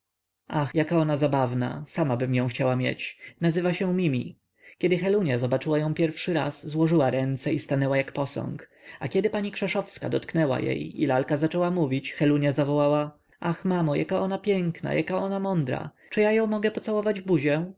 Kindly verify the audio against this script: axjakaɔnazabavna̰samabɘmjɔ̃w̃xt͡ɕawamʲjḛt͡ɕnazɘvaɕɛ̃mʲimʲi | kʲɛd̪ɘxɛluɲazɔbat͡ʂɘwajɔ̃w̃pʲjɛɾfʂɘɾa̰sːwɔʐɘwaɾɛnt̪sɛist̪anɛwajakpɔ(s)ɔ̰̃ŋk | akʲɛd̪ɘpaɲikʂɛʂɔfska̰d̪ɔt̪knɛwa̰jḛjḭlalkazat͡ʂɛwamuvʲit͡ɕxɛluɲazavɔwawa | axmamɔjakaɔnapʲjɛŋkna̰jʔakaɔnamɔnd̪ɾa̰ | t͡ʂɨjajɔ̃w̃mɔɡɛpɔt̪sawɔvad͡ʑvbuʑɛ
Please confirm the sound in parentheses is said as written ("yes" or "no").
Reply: yes